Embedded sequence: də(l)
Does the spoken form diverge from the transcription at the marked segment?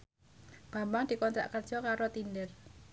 yes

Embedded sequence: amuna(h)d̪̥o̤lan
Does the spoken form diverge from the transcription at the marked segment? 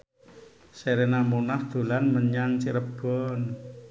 no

